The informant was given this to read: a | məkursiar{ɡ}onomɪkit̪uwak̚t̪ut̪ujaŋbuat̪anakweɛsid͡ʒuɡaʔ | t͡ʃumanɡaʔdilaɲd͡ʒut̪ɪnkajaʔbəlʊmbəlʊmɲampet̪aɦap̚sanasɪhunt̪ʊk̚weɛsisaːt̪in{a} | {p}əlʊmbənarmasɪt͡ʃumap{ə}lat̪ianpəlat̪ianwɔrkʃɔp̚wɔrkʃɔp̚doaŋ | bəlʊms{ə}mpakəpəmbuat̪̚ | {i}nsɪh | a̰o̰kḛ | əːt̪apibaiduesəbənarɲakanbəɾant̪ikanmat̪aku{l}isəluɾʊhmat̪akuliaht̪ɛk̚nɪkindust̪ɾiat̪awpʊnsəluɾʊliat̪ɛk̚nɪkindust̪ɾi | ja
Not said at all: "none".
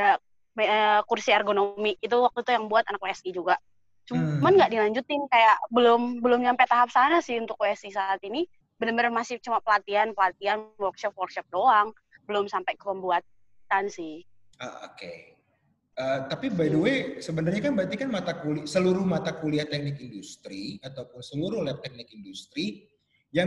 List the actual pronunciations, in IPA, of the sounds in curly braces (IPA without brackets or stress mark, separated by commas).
ɡ, i, b, ə, a, a, l